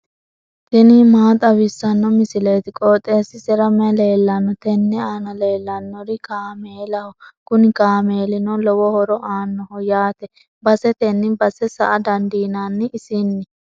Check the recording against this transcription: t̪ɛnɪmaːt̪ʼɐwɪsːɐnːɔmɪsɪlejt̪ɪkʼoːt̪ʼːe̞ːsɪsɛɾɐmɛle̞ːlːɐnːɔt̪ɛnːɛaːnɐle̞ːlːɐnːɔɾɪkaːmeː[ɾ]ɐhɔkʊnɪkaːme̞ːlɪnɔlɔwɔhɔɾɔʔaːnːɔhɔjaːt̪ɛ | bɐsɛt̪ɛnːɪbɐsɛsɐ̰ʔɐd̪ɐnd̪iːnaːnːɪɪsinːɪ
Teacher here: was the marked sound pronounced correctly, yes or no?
no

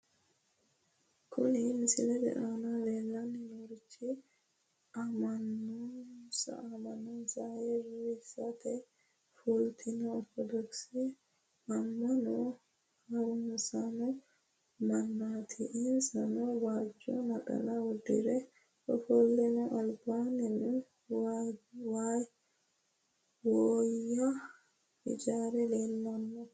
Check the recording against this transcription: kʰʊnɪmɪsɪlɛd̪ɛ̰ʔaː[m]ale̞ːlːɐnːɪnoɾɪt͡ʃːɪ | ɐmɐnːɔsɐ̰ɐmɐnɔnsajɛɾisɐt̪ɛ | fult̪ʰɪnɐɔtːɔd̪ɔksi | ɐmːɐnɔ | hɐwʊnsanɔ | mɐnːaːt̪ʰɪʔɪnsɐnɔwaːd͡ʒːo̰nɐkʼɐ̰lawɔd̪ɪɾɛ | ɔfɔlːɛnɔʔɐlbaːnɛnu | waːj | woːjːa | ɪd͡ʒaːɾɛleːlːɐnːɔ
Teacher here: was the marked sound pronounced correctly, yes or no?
no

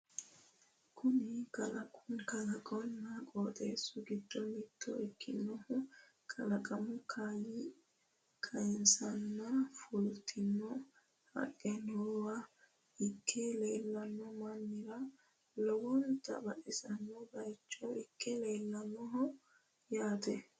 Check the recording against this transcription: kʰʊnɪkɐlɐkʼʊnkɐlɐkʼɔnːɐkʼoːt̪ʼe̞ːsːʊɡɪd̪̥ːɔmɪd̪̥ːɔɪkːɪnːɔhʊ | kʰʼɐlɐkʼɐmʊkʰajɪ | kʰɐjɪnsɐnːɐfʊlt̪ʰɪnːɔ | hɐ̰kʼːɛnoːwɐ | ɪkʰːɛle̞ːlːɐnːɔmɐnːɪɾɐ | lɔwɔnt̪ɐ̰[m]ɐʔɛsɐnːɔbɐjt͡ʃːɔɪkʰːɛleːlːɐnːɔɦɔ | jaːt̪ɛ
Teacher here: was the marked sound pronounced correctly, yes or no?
no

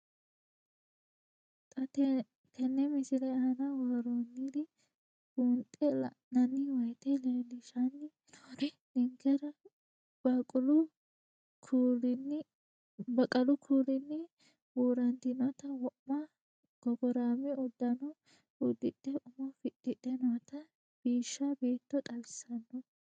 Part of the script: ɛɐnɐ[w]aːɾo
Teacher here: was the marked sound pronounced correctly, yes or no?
yes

